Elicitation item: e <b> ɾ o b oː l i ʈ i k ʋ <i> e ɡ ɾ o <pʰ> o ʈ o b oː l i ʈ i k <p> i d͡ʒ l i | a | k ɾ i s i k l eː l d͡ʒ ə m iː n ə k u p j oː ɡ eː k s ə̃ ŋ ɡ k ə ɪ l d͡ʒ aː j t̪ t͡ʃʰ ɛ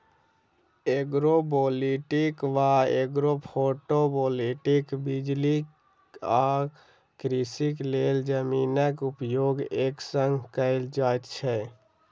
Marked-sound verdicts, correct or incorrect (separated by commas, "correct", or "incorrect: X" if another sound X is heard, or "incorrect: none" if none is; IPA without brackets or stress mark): incorrect: ɡ, incorrect: a, correct, incorrect: b